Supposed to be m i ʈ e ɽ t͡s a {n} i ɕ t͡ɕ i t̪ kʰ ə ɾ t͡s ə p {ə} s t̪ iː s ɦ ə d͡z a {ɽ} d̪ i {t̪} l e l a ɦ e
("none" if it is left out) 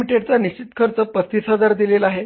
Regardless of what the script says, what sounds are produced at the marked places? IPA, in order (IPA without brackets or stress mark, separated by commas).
n, ə, ɾ, none